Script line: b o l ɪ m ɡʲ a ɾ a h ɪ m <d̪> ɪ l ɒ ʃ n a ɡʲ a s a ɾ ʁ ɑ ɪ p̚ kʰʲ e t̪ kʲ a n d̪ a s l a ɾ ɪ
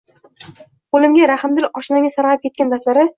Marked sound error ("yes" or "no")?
no